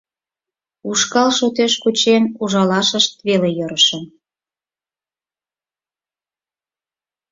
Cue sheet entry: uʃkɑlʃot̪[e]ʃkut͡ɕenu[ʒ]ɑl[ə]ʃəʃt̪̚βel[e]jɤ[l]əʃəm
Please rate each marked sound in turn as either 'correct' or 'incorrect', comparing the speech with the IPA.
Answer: correct, correct, incorrect: ɑ, correct, incorrect: ɾ

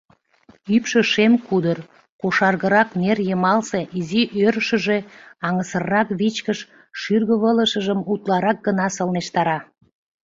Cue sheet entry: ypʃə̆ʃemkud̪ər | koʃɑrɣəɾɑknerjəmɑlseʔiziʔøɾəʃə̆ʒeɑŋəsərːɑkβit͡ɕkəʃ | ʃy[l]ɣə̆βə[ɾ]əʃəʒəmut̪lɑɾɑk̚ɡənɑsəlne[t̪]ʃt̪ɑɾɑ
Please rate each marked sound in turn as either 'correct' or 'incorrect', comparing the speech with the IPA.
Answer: incorrect: r, incorrect: l, incorrect: none

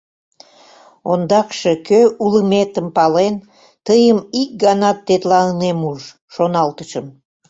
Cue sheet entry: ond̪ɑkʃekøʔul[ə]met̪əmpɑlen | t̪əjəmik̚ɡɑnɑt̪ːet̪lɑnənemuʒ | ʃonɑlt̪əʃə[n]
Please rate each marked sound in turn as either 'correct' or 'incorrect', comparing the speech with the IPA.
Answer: correct, incorrect: m

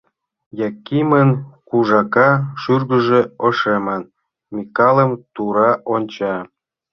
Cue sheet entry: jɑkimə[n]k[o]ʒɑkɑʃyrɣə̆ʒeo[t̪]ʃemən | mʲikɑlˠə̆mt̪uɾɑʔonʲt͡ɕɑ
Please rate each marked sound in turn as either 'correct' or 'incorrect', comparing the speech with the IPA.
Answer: correct, incorrect: u, incorrect: none

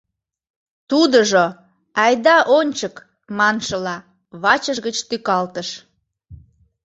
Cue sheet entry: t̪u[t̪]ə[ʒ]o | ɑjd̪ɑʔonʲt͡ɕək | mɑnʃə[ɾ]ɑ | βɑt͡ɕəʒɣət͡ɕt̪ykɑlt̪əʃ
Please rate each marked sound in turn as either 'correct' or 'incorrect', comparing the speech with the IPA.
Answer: incorrect: d̪, correct, incorrect: l

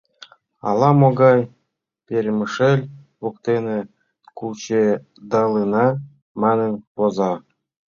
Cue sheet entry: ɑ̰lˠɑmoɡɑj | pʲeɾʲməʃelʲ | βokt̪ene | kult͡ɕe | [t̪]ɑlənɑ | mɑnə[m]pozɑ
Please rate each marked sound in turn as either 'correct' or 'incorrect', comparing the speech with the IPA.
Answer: incorrect: d̪, incorrect: n

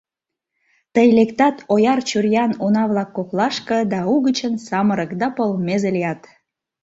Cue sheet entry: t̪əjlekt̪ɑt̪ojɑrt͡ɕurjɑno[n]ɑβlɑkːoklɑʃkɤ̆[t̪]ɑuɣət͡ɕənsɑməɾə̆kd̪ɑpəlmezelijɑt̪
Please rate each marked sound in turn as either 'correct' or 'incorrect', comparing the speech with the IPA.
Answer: correct, incorrect: d̪

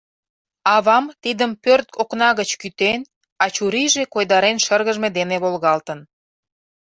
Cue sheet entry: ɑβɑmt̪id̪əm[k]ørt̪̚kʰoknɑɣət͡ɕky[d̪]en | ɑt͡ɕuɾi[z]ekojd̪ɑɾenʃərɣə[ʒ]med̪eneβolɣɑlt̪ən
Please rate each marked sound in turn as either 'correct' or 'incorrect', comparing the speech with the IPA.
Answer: incorrect: p, incorrect: t̪, incorrect: ʒ, correct

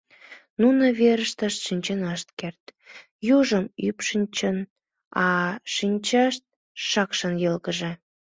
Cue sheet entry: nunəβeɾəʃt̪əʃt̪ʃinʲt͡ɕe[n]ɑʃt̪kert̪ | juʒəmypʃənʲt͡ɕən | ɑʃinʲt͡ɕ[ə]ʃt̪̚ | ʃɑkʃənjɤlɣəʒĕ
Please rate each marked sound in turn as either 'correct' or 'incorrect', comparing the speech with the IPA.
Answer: correct, incorrect: ɑ

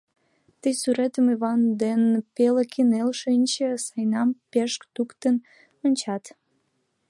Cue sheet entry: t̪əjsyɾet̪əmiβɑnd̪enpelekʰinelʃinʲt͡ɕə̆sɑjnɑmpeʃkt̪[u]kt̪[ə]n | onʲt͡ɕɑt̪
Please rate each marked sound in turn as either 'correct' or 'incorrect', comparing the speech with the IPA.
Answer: correct, correct

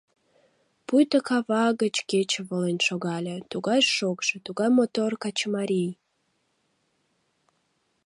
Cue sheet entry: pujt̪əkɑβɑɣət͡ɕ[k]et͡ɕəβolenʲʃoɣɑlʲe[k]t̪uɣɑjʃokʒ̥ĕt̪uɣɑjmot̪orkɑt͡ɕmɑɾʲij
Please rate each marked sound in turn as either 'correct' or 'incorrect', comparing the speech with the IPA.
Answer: correct, incorrect: none

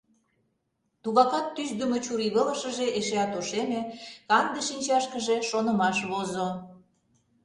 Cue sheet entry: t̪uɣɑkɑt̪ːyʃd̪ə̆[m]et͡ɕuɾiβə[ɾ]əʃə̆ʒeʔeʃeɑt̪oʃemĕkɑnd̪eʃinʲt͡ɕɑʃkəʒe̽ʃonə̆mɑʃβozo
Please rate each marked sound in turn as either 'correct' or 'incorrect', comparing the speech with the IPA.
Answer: correct, incorrect: l

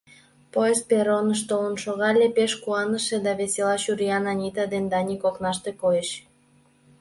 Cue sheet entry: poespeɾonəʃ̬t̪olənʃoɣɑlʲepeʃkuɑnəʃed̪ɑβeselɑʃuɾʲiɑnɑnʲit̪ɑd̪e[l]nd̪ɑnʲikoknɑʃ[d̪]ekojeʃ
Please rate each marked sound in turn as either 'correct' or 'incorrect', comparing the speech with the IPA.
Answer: incorrect: none, incorrect: t̪

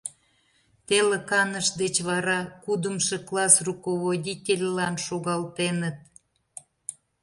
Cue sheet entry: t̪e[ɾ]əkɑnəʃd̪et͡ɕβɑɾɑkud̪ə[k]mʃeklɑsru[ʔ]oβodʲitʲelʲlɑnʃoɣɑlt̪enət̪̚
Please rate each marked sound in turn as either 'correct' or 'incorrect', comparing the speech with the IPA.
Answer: incorrect: l, incorrect: none, incorrect: k

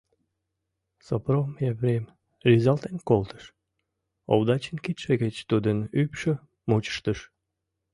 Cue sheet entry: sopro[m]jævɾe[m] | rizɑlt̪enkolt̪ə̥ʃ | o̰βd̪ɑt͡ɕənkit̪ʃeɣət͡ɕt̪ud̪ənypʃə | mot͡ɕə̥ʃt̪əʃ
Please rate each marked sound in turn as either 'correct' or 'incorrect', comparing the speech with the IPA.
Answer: correct, correct

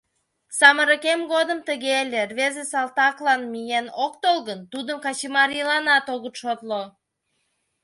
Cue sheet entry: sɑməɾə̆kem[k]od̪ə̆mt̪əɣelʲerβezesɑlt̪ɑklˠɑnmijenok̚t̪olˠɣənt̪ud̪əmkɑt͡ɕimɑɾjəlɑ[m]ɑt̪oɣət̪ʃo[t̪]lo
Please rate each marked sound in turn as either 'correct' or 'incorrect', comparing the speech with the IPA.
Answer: incorrect: ɡ, incorrect: n, correct

